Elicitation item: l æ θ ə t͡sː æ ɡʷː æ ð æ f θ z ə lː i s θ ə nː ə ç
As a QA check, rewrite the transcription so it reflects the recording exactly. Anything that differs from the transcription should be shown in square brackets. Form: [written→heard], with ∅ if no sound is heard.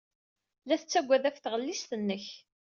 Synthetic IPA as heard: l æ θ ə t͡sː æ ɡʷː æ ð æ f θ [z→ʁ] ə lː i s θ ə nː ə ç